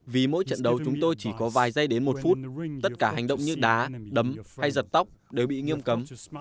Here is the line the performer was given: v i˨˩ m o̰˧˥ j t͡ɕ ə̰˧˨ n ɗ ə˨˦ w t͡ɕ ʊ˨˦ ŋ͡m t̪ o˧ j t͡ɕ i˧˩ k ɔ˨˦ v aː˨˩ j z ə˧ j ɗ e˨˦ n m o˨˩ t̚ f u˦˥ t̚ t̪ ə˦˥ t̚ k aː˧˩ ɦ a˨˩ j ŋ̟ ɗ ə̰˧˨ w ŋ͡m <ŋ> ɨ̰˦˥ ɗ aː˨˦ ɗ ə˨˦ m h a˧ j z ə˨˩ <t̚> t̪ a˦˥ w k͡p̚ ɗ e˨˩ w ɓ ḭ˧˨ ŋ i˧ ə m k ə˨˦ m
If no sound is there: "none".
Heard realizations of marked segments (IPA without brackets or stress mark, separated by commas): ɲ, t̚